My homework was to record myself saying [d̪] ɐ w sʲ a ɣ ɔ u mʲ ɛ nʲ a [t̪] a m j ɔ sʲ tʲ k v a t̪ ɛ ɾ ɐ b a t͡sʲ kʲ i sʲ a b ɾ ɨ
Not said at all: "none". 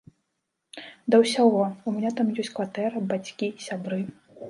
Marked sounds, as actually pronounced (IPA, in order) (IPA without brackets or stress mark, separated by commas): d̪, t̪